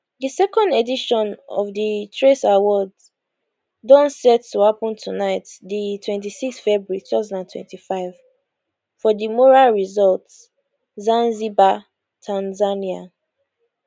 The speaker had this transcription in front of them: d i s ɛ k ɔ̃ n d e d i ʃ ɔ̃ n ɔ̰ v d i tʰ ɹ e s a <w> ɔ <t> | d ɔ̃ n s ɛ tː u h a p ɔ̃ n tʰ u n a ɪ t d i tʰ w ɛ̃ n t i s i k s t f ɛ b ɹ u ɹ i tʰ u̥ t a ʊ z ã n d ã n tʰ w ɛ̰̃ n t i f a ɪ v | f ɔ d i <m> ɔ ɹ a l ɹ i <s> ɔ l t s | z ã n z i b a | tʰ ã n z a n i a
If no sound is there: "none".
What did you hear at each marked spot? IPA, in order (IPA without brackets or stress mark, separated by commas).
w, d, m, z